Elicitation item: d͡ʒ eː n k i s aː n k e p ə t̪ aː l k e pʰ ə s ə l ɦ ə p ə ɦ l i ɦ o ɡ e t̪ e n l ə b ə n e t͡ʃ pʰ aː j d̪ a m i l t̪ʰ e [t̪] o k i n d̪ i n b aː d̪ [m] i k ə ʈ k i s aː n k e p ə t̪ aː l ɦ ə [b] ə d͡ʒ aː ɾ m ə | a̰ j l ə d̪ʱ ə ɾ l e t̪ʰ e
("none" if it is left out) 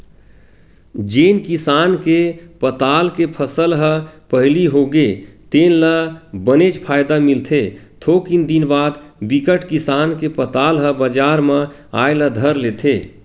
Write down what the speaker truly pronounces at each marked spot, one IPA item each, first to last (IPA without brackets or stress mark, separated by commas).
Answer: t̪ʰ, b, b